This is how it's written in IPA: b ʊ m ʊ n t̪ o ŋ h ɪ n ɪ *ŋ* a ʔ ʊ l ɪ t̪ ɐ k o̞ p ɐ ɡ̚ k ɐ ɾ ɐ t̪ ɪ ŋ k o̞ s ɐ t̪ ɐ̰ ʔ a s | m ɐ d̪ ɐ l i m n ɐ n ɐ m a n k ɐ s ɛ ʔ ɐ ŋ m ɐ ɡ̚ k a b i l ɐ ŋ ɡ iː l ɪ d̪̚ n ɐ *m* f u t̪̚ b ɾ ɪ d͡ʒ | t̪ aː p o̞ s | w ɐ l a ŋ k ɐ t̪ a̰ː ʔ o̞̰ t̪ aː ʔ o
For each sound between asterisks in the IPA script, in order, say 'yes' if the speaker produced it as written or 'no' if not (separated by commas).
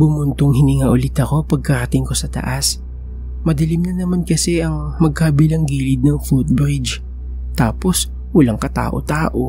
yes, no